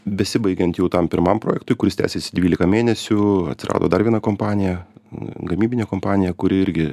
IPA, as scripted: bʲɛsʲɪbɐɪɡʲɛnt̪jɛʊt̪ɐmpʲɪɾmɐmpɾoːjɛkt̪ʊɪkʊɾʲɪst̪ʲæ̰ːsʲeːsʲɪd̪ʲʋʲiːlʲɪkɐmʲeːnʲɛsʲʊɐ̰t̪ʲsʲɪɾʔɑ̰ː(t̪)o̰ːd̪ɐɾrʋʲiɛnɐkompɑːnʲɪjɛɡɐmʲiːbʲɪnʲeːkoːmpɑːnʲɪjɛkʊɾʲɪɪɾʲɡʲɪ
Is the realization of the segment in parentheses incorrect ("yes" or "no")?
yes